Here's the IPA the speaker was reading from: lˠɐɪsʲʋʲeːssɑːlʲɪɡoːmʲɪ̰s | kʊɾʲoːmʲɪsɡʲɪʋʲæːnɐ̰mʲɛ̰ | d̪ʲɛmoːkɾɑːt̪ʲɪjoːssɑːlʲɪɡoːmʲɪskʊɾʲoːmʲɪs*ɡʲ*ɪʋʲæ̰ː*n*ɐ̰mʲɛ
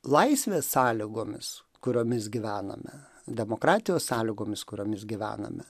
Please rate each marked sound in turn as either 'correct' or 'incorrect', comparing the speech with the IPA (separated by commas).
correct, correct